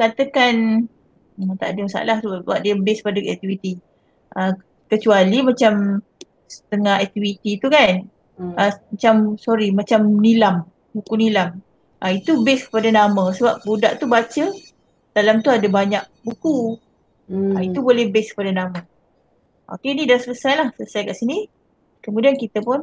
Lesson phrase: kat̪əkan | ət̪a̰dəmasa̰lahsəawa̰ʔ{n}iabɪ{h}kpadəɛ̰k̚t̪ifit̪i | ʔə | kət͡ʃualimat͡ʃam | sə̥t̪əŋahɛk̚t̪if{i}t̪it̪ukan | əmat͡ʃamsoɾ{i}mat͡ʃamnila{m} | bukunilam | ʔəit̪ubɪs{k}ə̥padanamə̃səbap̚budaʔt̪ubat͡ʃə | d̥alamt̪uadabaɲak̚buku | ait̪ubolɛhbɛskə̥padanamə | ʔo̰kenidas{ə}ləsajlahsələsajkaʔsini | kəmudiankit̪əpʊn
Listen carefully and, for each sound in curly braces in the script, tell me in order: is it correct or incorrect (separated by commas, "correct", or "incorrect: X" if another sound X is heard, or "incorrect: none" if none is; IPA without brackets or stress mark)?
incorrect: d, incorrect: s, correct, correct, correct, correct, correct